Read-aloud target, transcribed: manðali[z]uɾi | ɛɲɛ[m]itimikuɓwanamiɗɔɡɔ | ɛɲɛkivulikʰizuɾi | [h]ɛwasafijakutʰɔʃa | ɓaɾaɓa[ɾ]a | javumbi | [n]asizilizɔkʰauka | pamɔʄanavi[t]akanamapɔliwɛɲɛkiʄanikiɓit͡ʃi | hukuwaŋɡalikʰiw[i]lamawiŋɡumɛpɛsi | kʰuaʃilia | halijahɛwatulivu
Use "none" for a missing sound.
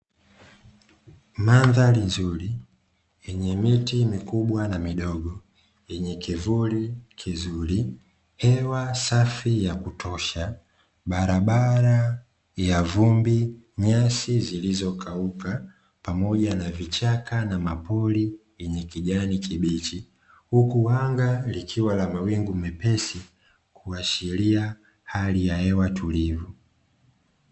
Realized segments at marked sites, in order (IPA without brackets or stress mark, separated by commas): z, m, h, ɾ, ɲ, t͡ʃ, a